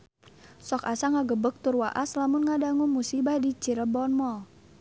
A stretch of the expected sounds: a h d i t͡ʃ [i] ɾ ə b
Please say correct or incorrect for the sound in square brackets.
correct